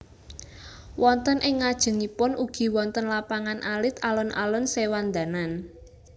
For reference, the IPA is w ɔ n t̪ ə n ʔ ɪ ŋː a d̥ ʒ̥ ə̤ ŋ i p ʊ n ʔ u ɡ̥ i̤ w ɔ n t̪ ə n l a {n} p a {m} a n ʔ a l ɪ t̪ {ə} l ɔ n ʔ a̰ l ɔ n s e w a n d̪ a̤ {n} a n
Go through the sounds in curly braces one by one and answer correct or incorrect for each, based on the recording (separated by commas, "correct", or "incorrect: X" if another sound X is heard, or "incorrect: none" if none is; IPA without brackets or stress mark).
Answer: incorrect: none, incorrect: ŋ, incorrect: a, correct